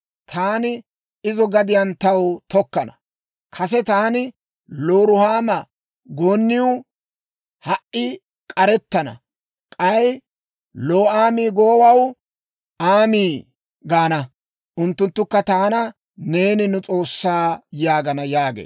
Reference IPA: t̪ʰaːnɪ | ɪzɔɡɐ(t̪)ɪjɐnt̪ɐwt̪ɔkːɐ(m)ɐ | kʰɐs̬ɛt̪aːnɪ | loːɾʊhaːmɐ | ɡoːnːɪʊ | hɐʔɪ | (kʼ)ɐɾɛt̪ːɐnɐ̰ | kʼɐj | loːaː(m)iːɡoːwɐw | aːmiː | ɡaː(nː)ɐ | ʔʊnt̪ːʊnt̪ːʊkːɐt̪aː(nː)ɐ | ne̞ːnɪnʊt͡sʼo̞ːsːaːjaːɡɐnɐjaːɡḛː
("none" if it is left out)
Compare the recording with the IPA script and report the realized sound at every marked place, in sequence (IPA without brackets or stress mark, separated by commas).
d̪, n, kʼ, m, n, n